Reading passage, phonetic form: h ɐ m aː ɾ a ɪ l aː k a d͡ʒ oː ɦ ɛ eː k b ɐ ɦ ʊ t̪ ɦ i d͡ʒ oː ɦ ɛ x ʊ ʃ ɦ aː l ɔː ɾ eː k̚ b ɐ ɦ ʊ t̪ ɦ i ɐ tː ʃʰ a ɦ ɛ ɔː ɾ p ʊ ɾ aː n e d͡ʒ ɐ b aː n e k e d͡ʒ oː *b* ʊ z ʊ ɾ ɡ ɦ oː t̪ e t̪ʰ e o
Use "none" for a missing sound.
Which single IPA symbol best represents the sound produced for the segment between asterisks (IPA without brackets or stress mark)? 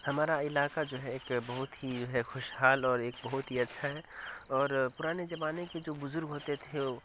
b